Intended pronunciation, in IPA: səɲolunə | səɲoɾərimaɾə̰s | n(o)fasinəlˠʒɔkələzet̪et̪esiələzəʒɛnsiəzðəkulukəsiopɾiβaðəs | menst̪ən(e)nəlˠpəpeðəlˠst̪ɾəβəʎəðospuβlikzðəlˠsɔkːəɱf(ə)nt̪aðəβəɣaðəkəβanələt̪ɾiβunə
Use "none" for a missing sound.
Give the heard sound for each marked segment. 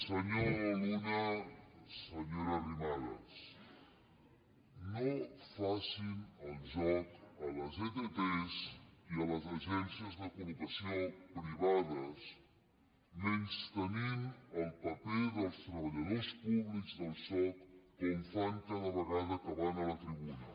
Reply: o, i, a

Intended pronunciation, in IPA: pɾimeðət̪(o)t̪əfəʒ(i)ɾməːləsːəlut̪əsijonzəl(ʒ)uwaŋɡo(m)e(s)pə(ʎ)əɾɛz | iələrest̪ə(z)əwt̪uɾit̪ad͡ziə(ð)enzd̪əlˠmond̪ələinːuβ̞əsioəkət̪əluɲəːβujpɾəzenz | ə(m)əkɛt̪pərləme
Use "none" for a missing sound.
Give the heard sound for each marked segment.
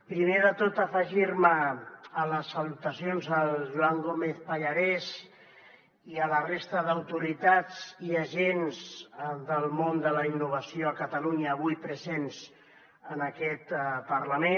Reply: o, i, ʒ, m, θ, ʎ, ð, ʒ, n

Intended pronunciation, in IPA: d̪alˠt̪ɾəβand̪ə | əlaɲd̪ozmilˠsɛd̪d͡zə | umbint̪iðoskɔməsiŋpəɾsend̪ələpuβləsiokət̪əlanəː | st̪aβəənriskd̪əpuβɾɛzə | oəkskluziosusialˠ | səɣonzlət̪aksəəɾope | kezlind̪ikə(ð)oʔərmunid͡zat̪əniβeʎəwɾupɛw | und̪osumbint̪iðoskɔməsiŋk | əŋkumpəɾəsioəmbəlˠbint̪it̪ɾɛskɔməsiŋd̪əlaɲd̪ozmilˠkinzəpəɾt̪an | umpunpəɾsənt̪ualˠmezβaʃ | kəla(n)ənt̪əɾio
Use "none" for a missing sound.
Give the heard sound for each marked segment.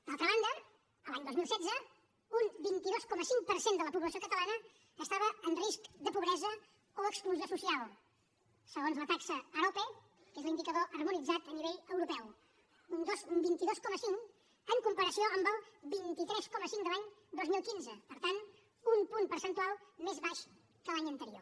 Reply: ð, ɲ

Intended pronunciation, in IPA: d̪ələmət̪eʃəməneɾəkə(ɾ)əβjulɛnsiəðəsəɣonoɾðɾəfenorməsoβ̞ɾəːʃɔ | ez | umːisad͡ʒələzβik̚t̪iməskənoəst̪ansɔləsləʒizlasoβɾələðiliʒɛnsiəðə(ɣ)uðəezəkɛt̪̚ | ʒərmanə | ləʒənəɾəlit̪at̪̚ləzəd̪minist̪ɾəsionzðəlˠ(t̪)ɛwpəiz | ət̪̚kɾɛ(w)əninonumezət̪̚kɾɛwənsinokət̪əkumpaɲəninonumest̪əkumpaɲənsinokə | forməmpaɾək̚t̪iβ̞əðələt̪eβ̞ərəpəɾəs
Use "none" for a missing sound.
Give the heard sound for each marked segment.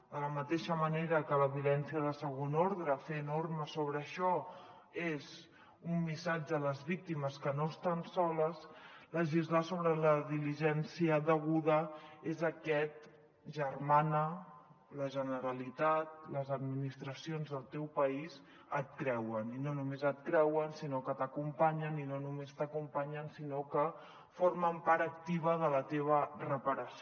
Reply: l, ɣ, t̪, w

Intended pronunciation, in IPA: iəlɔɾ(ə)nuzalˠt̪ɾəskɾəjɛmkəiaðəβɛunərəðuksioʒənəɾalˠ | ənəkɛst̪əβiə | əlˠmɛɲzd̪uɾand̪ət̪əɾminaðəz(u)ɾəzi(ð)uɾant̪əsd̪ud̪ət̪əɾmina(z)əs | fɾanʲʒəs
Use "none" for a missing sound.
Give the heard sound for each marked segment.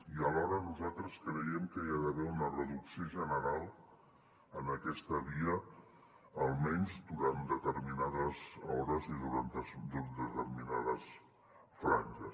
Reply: ə, ɔ, ð, ð

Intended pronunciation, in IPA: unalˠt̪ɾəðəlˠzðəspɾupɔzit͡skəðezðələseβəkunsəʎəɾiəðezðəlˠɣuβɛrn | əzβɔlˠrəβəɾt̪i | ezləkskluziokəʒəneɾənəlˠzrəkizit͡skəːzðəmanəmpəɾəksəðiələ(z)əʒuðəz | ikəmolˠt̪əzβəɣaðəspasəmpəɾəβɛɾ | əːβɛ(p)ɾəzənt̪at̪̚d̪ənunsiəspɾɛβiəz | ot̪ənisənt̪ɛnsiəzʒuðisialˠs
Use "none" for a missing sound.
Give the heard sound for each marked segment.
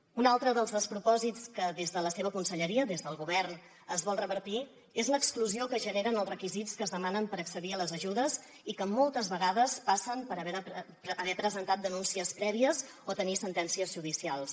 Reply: z, p

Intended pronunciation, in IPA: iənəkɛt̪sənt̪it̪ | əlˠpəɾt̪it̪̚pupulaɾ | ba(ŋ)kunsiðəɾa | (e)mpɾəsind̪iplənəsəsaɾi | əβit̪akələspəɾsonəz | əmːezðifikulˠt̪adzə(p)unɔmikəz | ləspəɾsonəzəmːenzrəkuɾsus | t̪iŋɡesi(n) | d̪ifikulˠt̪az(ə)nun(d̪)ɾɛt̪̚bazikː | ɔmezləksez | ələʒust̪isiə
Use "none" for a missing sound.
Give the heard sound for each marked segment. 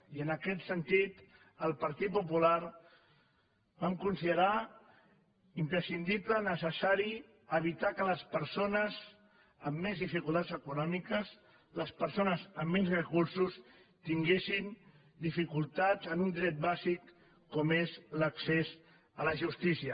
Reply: m, i, k, n, ə, d̪

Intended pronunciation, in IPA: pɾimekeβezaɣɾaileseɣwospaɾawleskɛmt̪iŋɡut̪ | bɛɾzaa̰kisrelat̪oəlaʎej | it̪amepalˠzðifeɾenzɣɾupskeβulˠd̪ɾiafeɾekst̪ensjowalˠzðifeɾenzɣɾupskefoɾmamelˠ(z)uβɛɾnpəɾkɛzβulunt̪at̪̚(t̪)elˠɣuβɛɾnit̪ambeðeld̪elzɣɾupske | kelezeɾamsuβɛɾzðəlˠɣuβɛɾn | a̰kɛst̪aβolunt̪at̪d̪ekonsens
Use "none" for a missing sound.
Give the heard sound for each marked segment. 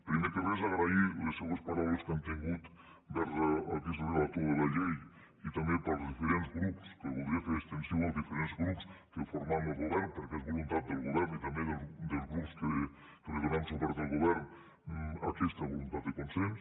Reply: ɣ, d̪

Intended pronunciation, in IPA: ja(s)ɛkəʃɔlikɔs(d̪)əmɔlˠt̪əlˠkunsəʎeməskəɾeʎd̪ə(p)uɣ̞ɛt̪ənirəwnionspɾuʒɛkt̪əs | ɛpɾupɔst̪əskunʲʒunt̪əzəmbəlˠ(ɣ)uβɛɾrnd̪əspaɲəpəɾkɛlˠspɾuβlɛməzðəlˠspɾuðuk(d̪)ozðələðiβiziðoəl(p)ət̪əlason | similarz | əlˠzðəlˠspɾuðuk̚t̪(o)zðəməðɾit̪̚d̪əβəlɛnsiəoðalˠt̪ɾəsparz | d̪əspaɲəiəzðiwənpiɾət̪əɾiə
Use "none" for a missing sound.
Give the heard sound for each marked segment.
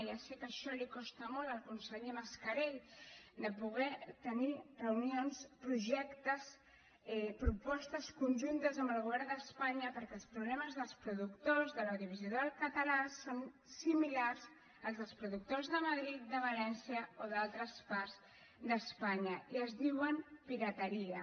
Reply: s, t̪, p, ɣ, t̪, k, o

